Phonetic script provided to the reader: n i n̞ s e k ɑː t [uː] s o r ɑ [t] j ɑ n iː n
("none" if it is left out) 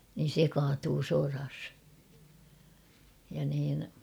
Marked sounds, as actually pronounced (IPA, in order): uː, s

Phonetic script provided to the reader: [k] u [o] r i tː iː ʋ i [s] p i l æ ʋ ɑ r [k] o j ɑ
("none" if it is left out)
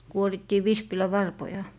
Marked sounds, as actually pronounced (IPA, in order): k, o, s, p

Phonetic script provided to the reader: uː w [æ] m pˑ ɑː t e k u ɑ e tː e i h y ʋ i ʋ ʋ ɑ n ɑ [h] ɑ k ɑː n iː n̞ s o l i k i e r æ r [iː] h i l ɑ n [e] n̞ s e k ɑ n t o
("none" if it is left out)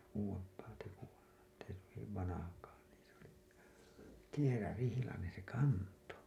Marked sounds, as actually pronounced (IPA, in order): e, h, i, e

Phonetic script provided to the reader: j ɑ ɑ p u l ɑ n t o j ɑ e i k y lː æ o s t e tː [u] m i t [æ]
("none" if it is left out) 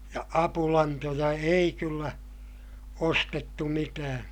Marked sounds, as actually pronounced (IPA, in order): u, æː

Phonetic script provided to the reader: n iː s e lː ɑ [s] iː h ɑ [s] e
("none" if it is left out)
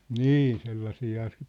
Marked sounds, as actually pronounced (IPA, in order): s, s

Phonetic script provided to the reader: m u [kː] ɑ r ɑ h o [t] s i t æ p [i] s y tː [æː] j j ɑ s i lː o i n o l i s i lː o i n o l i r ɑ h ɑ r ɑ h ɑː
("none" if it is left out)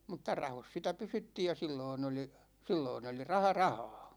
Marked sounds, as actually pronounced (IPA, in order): tː, s, y, iː

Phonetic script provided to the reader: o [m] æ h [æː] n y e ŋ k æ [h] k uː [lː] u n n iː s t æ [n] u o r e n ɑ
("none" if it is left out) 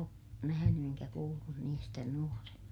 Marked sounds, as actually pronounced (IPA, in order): n, æ, none, lː, n

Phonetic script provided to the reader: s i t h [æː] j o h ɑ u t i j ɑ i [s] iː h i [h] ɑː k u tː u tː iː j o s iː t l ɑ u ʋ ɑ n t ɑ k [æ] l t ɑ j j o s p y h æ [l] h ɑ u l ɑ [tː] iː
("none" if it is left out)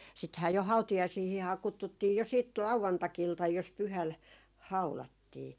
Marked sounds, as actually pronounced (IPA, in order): æː, s, h, i, l, tː

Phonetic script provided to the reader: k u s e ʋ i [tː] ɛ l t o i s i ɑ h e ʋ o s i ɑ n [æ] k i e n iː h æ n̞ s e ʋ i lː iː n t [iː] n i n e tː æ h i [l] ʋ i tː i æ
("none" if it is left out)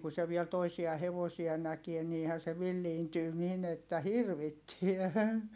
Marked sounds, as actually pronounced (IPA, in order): none, æ, yː, r

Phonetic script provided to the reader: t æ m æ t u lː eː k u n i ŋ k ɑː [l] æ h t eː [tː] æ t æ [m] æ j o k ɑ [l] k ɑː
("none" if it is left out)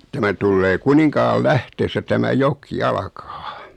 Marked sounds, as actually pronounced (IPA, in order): lː, sː, m, l

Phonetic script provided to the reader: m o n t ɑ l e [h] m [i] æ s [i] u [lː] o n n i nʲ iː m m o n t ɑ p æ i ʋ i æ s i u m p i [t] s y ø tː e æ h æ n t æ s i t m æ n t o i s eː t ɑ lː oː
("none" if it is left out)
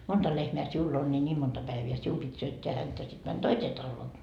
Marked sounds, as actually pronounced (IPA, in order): h, e, i, lː, t

